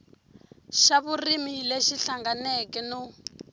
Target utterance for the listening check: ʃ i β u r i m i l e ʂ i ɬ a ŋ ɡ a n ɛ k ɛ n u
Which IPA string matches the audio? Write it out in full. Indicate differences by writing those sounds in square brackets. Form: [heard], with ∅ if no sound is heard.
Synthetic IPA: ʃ [a] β u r i m i l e [ʃ] i ɬ a ŋ ɡ a n ɛ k ɛ n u